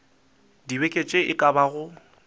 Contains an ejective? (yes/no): yes